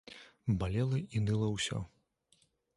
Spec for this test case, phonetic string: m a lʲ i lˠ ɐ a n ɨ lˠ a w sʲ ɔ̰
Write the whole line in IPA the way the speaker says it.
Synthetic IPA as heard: b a lʲ ɛ lˠ ɐ i n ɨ lˠ ɐ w sʲ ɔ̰